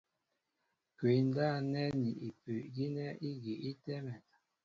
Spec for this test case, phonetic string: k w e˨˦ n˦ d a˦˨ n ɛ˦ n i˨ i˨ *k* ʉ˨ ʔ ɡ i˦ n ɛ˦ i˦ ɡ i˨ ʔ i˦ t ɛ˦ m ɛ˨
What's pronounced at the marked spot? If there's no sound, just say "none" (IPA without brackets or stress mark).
p